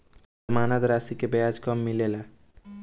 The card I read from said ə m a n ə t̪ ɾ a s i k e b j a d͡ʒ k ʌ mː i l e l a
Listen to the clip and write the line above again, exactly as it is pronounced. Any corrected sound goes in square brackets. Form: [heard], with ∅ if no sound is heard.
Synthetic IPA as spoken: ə m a n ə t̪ ɾ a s i k e b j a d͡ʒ k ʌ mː i l e l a